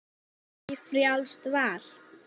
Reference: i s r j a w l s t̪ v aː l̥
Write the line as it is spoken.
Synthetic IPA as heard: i f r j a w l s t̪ v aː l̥